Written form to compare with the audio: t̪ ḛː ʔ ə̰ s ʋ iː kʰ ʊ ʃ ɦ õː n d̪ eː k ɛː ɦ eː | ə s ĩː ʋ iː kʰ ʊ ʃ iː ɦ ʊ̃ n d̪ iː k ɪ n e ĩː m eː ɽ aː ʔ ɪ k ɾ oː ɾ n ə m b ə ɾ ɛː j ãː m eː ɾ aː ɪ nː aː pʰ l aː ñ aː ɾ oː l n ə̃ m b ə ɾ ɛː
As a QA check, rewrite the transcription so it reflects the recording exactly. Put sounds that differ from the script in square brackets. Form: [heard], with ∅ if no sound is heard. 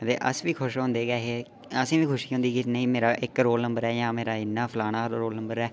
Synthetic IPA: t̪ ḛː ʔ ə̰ s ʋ iː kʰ ʊ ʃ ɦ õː n d̪ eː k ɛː ɦ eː | ə s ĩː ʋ iː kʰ ʊ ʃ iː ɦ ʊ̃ n d̪ iː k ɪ n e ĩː m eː [ɾ] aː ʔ ɪ k ɾ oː [l] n ə m b ə ɾ ɛː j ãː m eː ɾ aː ɪ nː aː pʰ l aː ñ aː ɾ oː l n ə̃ m b ə ɾ ɛː

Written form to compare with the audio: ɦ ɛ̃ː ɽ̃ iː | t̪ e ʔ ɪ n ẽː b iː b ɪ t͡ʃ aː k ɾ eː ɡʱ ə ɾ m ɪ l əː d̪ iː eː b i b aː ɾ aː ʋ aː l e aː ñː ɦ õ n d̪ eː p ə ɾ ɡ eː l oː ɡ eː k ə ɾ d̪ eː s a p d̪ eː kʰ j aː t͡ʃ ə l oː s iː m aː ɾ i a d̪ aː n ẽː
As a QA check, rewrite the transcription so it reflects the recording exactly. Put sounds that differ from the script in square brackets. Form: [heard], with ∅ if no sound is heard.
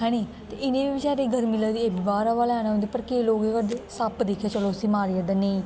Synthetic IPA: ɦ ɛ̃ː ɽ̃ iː | t̪ e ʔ ɪ n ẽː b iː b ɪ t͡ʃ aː [∅] ɾ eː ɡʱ ə ɾ m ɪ l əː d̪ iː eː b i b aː ɾ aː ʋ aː l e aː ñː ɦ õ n d̪ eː p ə ɾ [k] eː l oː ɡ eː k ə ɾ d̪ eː s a p d̪ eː kʰ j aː t͡ʃ ə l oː s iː m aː ɾ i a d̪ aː n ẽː

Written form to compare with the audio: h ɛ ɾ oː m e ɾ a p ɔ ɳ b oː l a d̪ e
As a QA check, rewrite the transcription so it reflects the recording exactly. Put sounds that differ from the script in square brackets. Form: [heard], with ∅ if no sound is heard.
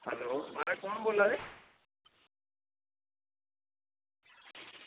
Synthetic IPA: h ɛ [l] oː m [a] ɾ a [k] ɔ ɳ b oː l a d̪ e

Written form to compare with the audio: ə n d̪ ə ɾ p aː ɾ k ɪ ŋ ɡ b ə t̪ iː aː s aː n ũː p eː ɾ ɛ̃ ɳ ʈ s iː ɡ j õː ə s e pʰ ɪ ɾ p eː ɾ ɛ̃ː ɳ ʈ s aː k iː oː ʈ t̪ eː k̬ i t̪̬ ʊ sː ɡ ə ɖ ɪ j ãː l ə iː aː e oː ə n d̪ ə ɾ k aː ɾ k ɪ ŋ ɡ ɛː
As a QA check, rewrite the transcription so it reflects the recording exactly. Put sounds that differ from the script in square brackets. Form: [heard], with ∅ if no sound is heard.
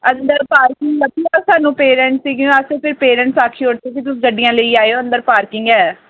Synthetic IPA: ə n d̪ ə ɾ p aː ɾ k ɪ ŋ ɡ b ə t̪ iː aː s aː n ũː p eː ɾ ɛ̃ ɳ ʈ s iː ɡ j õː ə s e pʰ ɪ ɾ p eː ɾ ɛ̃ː ɳ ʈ s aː [kʰ] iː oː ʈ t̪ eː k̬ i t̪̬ ʊ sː ɡ ə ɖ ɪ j ãː l ə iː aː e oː ə n d̪ ə ɾ [p] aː ɾ k ɪ ŋ ɡ ɛː

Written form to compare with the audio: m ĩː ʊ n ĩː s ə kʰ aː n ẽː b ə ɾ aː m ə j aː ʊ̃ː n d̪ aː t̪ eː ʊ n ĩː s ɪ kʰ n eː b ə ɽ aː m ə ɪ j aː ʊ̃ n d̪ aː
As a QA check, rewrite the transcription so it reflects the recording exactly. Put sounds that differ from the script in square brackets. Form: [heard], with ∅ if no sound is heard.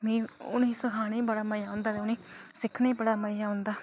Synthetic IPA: m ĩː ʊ n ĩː s ə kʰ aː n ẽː b ə [ɽ] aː m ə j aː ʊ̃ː n d̪ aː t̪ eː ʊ n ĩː s ɪ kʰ n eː b ə ɽ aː m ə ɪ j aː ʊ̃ n d̪ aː

